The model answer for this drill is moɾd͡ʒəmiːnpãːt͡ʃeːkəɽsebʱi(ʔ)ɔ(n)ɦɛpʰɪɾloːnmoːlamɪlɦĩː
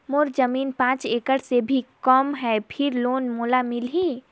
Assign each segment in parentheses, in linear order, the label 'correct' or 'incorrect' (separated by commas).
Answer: incorrect, incorrect